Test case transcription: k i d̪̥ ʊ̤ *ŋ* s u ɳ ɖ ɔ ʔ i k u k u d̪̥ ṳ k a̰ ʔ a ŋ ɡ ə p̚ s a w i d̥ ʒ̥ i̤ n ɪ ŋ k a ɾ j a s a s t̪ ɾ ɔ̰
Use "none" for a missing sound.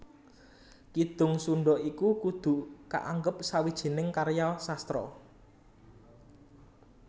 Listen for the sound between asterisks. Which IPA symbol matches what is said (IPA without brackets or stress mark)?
ŋ